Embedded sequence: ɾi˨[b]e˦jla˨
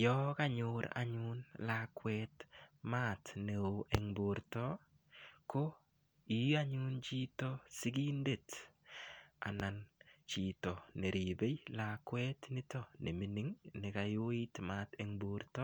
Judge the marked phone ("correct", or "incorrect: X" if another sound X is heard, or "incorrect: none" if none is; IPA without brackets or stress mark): correct